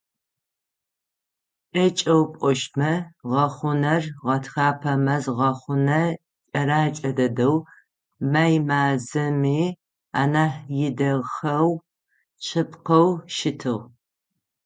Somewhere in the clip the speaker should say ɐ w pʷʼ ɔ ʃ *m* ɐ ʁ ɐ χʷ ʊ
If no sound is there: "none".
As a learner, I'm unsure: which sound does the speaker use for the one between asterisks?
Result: m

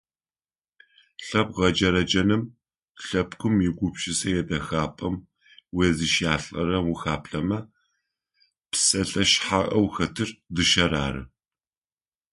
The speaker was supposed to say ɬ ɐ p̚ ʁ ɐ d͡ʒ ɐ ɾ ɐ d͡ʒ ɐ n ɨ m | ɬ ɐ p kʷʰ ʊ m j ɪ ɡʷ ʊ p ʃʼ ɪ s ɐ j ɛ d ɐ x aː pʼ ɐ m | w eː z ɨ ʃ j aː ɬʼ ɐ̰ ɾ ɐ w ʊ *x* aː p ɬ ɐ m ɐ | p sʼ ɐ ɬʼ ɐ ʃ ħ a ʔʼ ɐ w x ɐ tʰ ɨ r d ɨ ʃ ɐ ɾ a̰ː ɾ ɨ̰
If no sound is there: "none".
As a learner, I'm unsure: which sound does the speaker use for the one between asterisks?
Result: x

